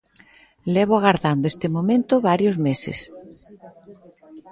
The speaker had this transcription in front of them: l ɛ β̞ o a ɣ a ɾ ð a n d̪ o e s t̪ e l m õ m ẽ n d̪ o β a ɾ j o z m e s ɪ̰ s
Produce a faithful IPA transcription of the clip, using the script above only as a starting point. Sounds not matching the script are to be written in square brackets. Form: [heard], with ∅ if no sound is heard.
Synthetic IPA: l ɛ β̞ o a ɣ a ɾ ð a n d̪ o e s t̪ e [∅] m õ m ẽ n [t̪] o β a ɾ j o z m e s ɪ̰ s